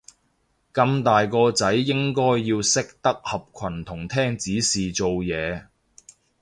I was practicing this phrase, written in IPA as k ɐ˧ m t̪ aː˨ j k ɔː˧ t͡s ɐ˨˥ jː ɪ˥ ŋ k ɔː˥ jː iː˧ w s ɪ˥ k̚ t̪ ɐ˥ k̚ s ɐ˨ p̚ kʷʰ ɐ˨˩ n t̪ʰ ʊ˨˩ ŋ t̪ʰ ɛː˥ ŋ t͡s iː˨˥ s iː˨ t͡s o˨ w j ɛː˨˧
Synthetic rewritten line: k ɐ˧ m t̪ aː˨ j k ɔː˧ t͡s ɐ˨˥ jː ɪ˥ ŋ k ɔː˥ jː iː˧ w s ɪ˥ k̚ t̪ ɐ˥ k̚ h ɐ˨ p̚ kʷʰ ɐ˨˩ n t̪ʰ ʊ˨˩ ŋ t̪ʰ ɛː˥ ŋ t͡s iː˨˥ s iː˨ t͡s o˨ w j ɛː˨˧